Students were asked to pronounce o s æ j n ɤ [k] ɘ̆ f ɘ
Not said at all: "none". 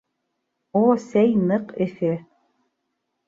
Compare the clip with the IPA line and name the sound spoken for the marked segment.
q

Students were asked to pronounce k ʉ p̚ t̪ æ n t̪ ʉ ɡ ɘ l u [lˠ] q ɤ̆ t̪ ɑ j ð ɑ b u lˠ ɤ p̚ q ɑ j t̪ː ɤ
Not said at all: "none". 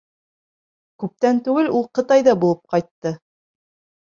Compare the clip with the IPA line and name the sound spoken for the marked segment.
lˠ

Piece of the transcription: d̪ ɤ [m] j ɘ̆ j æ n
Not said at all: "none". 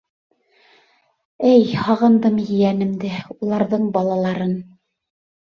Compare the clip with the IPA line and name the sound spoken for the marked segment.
m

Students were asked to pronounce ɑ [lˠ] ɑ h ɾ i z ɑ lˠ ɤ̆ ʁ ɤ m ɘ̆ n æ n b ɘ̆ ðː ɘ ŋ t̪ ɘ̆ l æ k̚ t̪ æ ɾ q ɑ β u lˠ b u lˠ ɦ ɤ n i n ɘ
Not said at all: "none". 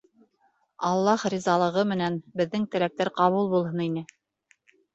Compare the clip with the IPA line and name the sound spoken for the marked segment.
lˠː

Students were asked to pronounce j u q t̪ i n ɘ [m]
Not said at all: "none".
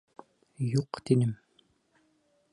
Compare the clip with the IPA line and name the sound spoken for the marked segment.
m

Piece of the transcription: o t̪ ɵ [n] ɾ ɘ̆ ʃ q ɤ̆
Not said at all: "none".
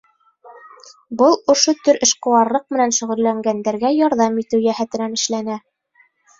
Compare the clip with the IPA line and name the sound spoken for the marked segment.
none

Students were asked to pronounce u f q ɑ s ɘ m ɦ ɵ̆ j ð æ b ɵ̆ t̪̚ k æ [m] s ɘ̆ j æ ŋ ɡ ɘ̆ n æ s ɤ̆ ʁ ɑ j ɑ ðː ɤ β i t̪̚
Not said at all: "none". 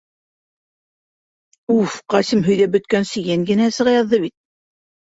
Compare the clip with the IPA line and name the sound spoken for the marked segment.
n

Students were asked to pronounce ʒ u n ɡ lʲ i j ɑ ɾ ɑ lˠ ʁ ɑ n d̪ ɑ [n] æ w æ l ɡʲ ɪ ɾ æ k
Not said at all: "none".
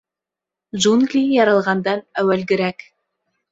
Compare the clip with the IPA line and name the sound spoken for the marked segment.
n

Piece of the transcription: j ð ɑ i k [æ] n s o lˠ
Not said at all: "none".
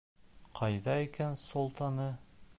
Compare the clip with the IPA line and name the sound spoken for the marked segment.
æ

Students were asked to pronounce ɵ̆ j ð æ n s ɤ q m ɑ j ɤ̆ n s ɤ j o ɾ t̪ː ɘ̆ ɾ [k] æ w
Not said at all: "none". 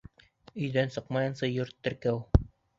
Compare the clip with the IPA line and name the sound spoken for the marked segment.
k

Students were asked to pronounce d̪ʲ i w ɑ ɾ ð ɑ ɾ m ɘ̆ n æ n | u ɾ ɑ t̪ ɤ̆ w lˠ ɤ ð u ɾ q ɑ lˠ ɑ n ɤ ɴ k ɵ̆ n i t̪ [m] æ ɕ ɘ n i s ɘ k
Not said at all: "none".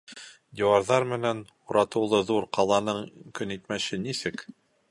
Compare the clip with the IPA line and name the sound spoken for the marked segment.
m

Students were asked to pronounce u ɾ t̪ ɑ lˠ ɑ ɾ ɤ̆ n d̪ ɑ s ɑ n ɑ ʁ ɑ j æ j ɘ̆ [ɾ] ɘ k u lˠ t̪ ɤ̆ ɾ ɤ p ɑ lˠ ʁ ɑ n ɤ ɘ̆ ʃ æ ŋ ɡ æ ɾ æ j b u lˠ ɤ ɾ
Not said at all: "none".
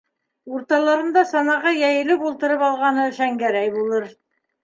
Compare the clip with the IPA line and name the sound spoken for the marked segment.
l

